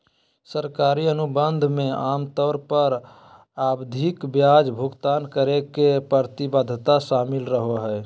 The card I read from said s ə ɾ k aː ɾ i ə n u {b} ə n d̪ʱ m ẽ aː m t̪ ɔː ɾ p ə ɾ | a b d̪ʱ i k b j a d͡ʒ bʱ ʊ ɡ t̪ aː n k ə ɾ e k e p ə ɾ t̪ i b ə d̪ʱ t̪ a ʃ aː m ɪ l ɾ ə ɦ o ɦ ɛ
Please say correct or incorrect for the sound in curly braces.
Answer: correct